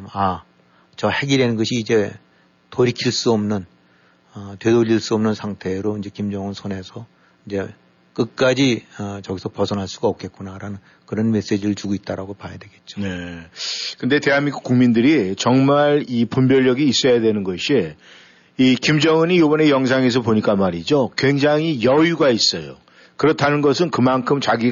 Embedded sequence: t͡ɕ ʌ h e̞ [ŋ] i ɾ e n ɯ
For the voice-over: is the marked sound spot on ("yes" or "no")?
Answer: no